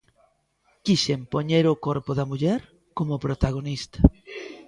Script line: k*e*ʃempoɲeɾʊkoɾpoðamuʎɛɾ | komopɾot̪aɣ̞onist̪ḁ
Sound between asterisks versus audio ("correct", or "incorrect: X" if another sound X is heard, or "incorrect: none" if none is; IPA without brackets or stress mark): incorrect: i